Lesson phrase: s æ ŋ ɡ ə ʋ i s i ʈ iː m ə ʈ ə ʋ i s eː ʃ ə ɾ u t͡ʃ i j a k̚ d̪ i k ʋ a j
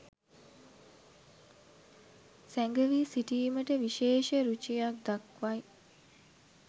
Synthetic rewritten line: s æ ŋ ɡ ə ʋ i s i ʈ iː m ə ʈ ə ʋ i ʃ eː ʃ ə ɾ u t͡ʃ i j a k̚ d̪ a k ʋ a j